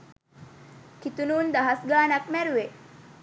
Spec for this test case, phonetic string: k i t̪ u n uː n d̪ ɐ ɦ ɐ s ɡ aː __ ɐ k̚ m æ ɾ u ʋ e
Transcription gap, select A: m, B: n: B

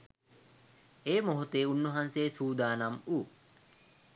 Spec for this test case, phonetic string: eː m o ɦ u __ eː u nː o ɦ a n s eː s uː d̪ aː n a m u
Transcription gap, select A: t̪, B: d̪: A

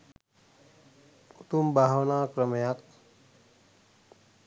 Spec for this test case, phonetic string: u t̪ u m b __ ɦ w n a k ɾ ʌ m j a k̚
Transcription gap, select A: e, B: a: B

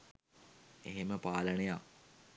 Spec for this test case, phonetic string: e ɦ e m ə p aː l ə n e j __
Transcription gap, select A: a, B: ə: A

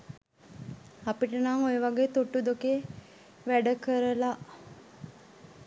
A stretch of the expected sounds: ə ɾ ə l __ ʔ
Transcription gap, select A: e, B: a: B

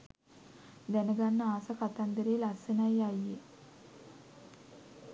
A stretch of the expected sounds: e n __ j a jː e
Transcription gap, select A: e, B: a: B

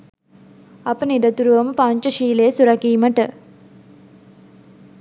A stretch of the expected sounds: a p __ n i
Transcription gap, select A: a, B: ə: B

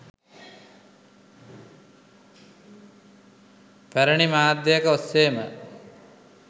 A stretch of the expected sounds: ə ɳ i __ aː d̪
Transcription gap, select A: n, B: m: B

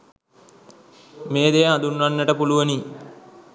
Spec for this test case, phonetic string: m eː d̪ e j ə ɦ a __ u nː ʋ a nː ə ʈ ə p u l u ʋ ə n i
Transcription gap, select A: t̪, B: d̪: B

